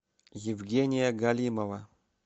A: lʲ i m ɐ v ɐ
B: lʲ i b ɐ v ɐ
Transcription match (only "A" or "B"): A